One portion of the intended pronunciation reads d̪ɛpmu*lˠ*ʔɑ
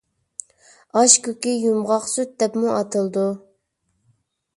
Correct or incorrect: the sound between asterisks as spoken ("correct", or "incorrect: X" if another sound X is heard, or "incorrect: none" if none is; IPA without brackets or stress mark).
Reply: incorrect: none